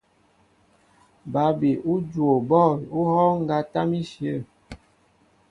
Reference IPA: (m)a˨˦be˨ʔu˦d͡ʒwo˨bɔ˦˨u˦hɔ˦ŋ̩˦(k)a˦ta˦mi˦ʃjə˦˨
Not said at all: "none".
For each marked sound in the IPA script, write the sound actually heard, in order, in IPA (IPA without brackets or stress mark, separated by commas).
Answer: b, ɡ